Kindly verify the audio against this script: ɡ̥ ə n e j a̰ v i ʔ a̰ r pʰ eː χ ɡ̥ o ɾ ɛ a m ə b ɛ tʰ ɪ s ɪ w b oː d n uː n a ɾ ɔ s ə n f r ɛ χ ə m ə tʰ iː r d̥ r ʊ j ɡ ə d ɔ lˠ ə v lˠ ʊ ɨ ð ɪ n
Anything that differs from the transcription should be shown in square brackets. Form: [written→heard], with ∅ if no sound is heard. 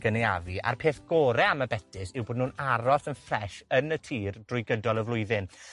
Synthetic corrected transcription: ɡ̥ ə n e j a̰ v i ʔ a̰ r pʰ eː [χ→θ] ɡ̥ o ɾ ɛ a m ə b ɛ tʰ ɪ s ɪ w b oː d n uː n a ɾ ɔ s ə n f r ɛ [χ→ʃ] ə [m→n] ə tʰ iː r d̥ r ʊ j ɡ ə d ɔ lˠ ə v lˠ ʊ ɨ ð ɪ n